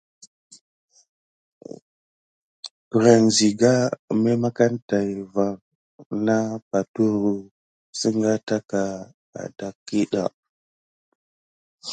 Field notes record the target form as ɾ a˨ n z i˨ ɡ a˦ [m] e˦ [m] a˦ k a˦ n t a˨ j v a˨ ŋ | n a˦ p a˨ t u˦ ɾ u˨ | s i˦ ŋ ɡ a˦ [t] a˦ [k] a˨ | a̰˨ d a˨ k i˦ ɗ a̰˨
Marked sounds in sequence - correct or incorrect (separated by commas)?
correct, correct, correct, correct